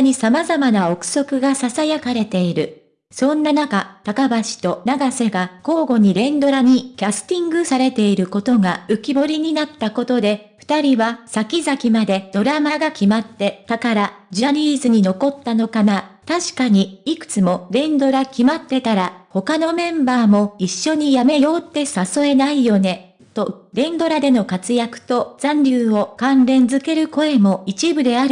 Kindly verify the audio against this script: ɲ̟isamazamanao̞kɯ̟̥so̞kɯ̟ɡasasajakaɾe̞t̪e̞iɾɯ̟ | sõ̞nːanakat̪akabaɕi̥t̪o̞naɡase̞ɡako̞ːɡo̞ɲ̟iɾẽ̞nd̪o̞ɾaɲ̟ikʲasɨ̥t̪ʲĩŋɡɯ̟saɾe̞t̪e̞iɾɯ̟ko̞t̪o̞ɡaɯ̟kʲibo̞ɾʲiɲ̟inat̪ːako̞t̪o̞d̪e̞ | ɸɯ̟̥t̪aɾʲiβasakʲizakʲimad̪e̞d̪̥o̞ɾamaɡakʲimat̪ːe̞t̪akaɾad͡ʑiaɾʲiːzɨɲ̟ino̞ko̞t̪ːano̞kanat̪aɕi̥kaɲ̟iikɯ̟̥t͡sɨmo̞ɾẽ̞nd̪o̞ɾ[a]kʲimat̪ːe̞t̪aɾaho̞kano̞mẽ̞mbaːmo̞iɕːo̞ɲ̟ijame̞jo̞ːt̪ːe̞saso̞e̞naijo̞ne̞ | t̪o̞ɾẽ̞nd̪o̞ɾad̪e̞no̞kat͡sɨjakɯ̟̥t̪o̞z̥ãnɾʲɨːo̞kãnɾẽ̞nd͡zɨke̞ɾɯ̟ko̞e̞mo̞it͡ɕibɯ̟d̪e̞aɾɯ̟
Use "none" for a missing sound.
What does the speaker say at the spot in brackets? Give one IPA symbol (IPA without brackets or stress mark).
a